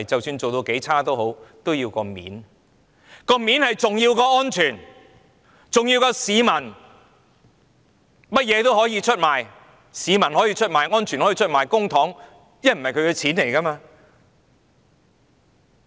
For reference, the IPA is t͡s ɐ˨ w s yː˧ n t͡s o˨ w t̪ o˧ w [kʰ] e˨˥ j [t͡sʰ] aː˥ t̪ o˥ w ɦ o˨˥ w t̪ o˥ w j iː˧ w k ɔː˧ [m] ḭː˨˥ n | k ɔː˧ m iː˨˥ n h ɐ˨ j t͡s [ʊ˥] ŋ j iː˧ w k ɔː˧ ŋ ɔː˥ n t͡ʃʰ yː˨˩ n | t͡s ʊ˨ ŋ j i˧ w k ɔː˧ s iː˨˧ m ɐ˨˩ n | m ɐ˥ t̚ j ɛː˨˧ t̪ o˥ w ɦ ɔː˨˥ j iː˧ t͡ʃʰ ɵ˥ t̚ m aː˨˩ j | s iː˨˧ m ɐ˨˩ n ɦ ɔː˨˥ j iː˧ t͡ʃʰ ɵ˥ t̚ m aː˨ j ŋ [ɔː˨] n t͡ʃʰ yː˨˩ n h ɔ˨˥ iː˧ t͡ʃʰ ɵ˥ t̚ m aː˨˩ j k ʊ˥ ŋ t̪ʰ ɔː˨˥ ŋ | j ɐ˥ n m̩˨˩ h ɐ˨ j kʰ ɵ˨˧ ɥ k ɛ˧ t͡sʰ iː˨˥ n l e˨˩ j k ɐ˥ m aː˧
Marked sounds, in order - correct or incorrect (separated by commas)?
incorrect, correct, correct, incorrect, incorrect